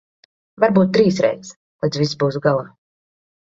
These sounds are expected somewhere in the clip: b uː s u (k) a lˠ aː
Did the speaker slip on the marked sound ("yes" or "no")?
yes